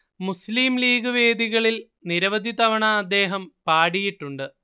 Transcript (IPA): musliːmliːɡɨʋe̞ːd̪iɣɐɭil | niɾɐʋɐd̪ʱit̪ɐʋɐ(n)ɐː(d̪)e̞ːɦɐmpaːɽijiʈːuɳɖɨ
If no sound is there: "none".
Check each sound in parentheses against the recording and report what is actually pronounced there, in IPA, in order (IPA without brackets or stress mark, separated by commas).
ɳ, d̪ː